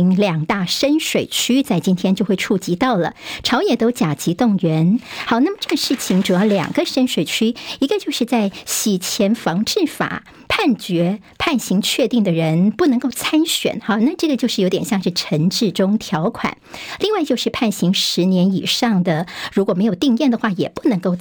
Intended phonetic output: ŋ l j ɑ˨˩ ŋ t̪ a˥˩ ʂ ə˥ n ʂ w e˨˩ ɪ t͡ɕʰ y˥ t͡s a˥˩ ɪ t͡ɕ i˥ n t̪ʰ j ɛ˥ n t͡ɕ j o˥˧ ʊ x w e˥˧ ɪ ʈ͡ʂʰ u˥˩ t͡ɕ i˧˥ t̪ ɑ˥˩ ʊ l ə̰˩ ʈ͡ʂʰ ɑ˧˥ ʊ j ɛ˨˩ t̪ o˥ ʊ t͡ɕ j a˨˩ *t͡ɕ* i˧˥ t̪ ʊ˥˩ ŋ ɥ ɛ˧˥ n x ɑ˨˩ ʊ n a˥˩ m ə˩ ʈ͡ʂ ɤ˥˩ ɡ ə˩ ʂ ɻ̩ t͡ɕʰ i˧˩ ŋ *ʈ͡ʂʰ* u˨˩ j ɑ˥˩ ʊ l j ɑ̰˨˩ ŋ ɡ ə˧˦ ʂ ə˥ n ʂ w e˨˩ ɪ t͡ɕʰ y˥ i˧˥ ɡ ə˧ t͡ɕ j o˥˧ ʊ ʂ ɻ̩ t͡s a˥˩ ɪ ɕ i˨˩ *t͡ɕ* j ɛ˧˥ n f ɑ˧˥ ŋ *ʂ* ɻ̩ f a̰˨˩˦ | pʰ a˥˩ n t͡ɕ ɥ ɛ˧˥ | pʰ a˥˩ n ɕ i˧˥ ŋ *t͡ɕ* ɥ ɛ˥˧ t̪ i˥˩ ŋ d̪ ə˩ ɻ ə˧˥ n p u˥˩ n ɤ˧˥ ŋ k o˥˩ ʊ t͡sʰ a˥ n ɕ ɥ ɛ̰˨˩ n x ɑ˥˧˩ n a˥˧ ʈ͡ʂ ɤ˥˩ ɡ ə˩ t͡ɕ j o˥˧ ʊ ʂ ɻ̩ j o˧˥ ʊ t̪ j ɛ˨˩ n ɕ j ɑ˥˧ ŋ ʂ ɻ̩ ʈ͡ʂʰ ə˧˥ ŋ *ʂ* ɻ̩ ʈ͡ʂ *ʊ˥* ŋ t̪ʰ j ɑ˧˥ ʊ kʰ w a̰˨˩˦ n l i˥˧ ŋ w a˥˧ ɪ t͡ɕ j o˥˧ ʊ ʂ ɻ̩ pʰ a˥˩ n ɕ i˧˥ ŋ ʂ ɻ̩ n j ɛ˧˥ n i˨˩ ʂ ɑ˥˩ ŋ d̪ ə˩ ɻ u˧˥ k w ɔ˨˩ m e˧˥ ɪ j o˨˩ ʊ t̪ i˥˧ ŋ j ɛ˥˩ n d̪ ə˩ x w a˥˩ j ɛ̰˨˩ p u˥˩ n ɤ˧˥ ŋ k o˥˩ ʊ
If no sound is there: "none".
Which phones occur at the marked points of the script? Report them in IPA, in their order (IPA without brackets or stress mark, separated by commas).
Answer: t͡ɕ, ʈ͡ʂ, t͡ɕʰ, ʈ͡ʂ, t͡ɕʰ, ʈ͡ʂ, ʊ˥